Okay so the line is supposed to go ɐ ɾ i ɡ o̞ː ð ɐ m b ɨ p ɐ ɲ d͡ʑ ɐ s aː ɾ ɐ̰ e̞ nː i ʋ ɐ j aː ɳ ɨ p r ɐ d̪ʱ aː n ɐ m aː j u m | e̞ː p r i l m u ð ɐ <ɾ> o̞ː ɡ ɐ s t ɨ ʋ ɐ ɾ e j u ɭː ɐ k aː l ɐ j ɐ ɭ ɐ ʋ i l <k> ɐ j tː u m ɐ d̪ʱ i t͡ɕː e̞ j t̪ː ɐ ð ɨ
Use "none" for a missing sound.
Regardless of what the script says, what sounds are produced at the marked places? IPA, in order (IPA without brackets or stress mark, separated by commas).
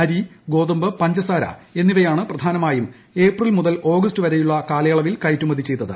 l, k